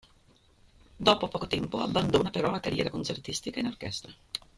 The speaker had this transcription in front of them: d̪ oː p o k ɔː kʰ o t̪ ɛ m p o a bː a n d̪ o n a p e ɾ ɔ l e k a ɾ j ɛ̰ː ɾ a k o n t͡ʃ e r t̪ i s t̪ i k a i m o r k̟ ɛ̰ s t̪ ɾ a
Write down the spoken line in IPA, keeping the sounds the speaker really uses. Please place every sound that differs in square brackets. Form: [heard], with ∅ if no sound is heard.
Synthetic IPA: d̪ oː p o [p] ɔː [k] o t̪ ɛ m p o a bː a n d̪ o n a p e ɾ ɔ l [a] k a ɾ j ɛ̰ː ɾ a k o n t͡ʃ e r t̪ i s t̪ i k a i [n] o r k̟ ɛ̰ s t̪ ɾ a